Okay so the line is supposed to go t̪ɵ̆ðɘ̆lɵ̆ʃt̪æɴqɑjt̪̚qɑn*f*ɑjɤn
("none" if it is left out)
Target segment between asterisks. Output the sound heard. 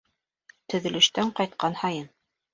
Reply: h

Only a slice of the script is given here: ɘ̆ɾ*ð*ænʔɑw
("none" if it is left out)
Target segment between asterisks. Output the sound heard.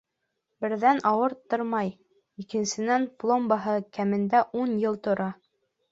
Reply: ð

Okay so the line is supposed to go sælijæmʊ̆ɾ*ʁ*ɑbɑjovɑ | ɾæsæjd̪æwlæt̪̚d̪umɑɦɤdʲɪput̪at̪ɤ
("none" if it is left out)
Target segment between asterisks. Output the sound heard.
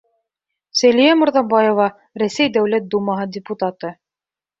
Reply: ð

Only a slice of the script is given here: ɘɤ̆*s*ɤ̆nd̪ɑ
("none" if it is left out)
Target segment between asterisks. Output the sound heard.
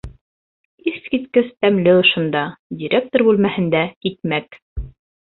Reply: ʃ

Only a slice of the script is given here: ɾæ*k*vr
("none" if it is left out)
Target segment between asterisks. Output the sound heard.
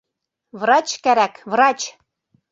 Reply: k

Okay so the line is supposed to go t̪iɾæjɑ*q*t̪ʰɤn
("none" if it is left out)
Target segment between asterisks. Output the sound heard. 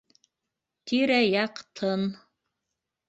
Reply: q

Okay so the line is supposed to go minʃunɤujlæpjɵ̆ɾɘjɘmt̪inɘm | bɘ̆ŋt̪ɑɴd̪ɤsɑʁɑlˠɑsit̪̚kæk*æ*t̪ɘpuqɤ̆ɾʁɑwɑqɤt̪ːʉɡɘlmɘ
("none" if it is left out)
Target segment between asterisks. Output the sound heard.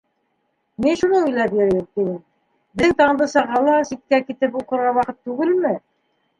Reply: i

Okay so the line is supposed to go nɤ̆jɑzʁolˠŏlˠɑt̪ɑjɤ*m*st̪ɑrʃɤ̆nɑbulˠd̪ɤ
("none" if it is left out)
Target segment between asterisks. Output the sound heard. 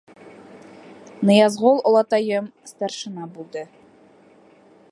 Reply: m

